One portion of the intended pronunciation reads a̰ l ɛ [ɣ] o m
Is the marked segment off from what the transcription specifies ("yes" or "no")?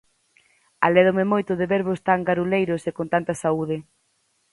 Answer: yes